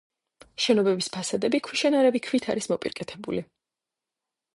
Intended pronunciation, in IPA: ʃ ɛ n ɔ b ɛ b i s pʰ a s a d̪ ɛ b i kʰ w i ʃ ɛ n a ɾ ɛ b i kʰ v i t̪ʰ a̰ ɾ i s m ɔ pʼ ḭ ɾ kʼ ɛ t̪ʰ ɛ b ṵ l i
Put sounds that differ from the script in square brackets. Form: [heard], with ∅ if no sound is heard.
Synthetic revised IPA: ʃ ɛ n ɔ b ɛ b i s pʰ a s a d̪ ɛ b i kʰ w i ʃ ɛ n a ɾ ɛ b i kʰ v i t̪ʰ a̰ ɾ i s m ɔ pʼ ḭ ɾ kʼ ɛ t̪ʰ ɛ b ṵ l i

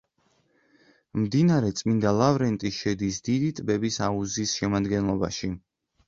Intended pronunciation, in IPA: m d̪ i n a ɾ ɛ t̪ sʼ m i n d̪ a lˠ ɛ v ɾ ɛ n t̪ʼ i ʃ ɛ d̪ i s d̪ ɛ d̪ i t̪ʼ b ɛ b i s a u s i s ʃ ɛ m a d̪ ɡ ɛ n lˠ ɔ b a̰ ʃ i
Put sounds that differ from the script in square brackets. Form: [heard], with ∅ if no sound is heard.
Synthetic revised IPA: m d̪ i n a ɾ ɛ t̪ sʼ m i n d̪ a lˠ [a] v ɾ ɛ n t̪ʼ i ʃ ɛ d̪ i s d̪ [i] d̪ i t̪ʼ b ɛ b i s a u [z] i s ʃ ɛ m a d̪ ɡ ɛ n lˠ ɔ b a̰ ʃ i

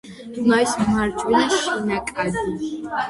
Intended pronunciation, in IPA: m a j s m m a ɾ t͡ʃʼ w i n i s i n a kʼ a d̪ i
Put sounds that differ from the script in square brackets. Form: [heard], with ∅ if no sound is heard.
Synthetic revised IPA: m a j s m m a ɾ t͡ʃʼ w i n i [ʃ] i n a kʼ a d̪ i

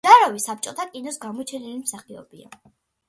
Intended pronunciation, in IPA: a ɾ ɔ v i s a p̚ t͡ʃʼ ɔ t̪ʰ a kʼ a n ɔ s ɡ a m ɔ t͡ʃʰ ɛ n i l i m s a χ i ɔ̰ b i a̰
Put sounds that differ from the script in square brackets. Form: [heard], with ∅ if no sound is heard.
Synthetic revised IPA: a ɾ ɔ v i s a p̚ t͡ʃʼ ɔ t̪ʰ a kʼ [i] n ɔ s ɡ a m ɔ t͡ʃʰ ɛ n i l i m s a χ i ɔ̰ b i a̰

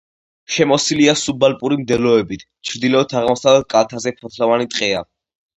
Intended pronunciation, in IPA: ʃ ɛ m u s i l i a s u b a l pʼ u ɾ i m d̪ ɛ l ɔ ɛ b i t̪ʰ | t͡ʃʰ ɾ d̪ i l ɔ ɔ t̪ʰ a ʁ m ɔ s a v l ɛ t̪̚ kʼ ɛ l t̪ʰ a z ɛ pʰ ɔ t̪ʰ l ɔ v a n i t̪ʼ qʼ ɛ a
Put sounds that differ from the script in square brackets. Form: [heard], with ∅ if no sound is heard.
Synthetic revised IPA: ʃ ɛ m [ɔ] s i l i a s u b a l pʼ u ɾ i m d̪ ɛ l ɔ ɛ b i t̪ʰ | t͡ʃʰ ɾ d̪ i l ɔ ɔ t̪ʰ a ʁ m ɔ s a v l ɛ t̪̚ kʼ [a] l t̪ʰ a z ɛ pʰ ɔ t̪ʰ l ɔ v a n i t̪ʼ qʼ ɛ a

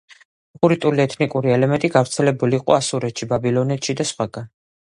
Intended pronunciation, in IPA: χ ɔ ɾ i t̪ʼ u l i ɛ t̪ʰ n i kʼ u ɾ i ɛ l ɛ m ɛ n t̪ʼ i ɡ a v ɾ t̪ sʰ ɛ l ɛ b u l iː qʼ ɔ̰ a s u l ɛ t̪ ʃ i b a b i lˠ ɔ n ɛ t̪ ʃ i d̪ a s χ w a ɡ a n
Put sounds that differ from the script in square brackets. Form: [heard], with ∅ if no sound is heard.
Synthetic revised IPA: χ [u] ɾ i t̪ʼ u l i ɛ t̪ʰ n i kʼ u ɾ i ɛ l ɛ m ɛ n t̪ʼ i ɡ a v ɾ t̪ sʰ ɛ l ɛ b u l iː qʼ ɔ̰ a s u [ɾ] ɛ t̪ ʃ i b a b i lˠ ɔ n ɛ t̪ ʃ i d̪ a s χ w a ɡ a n

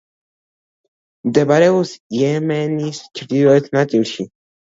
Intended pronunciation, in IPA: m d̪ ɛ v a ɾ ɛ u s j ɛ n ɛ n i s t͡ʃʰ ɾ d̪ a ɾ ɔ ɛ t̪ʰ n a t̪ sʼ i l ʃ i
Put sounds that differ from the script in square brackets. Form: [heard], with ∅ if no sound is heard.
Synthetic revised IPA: m d̪ ɛ [b] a ɾ ɛ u s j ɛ [m] ɛ n i s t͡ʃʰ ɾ d̪ [i] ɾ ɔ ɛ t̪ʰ n a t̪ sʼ i l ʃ i

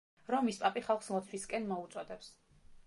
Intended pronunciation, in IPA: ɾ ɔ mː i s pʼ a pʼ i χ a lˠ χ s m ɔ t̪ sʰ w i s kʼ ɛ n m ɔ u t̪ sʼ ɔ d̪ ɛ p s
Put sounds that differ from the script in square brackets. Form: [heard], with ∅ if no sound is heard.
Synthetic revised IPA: ɾ ɔ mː i s pʼ a pʼ i χ a lˠ χ s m ɔ t̪ sʰ w i s kʼ ɛ n m ɔ u t̪ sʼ ɔ d̪ ɛ p s

